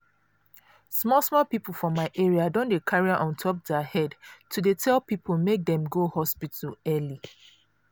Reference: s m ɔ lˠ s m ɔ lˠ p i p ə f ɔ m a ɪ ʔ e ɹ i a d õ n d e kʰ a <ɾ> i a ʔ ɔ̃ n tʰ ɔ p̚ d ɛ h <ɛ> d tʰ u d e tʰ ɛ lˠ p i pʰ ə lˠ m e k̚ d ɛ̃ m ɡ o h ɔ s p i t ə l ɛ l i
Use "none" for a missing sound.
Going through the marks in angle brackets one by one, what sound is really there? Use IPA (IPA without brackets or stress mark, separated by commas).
ɹ, ɛ